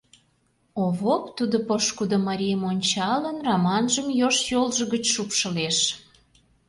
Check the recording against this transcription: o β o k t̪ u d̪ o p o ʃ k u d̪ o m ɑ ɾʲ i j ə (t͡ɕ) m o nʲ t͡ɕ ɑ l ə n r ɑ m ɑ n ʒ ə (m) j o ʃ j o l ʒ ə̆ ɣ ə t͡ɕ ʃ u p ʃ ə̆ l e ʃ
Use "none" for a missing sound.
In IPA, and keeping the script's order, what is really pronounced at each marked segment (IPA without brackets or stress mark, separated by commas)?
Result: none, m